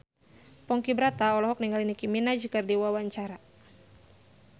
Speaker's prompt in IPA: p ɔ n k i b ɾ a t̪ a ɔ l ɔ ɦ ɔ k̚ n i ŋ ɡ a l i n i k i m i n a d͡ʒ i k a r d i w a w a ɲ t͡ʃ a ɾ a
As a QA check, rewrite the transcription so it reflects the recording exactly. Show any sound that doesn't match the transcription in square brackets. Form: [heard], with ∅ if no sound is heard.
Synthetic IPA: p ɔ [ŋ] k i b ɾ a t̪ a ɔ l ɔ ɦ ɔ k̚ n i ŋ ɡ a l i n i k i m i n a d͡ʒ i k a r d i w a w a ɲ t͡ʃ a ɾ a

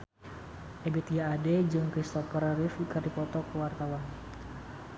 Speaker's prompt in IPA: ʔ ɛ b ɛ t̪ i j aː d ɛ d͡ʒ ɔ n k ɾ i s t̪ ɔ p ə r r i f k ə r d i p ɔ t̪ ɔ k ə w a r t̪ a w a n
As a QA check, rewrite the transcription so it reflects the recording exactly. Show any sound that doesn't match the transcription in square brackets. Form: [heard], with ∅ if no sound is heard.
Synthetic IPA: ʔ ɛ b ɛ t̪ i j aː d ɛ d͡ʒ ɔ [ŋ] k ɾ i s t̪ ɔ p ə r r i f k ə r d i p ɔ t̪ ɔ k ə w a r t̪ a w a n

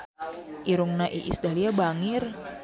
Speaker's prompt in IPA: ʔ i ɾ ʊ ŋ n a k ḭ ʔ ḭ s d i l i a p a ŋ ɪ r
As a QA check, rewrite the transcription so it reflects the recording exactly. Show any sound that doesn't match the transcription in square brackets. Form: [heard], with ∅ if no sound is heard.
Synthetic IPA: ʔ i ɾ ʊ ŋ n a [ʔ] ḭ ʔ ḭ s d [a] l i a [b] a ŋ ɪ r

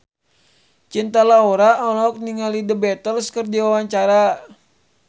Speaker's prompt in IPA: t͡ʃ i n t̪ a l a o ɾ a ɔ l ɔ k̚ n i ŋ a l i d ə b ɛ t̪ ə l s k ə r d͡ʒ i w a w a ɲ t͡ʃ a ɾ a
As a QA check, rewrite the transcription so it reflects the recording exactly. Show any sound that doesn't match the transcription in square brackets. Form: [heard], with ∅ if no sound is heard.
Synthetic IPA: t͡ʃ i n t̪ a l a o ɾ a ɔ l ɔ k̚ n i ŋ a l i d ə b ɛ t̪ ə l s k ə r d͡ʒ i w a w a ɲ t͡ʃ a ɾ a

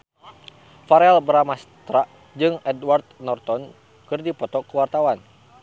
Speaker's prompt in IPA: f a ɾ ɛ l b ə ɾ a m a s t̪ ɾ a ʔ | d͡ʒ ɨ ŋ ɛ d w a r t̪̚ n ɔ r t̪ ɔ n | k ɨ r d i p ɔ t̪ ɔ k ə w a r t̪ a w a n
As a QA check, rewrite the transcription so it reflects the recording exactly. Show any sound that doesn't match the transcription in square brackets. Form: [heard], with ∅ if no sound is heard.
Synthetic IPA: f a ɾ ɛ l b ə ɾ a m a s t̪ ɾ a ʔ | d͡ʒ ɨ ŋ ɛ d w a r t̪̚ n ɔ r t̪ ɔ n | k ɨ r d i p ɔ t̪ ɔ k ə w a r t̪ a w a n

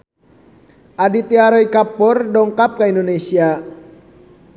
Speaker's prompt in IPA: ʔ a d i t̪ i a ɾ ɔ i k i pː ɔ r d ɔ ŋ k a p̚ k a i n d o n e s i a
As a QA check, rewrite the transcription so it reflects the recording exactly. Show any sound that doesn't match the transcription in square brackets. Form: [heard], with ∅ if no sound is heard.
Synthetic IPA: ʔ a d i t̪ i a ɾ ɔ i k [a] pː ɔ r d ɔ ŋ k a p̚ k a i n d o n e s i a

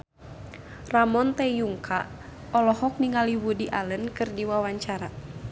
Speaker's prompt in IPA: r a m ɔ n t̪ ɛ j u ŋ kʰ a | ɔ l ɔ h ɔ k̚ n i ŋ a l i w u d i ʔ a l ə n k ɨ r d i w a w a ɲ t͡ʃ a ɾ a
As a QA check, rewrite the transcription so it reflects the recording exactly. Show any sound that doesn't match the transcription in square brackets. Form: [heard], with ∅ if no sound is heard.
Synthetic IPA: r a m ɔ n t̪ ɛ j u ŋ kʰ a | ɔ l ɔ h ɔ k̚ n i ŋ a l i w u d i ʔ a l ə n k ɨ r d i w a w a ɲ t͡ʃ a ɾ a

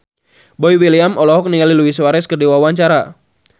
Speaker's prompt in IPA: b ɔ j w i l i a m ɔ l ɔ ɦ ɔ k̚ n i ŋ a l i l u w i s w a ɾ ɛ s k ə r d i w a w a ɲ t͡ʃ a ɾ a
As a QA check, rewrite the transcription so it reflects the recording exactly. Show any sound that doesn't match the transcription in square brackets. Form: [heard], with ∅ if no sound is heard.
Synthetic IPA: b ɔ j w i l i a m ɔ l ɔ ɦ ɔ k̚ n i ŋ a l i l u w i s w a ɾ ɛ s k ə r d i w a w a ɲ t͡ʃ a ɾ a

